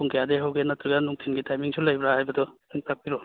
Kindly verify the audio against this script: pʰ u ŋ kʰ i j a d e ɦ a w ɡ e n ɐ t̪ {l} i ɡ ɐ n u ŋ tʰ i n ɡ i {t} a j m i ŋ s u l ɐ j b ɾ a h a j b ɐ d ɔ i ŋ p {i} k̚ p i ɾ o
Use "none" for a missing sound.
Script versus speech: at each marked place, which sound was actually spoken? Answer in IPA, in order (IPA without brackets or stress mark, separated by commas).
ɾ, t, a